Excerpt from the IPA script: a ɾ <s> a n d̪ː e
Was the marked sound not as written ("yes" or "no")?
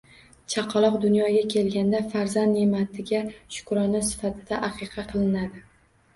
yes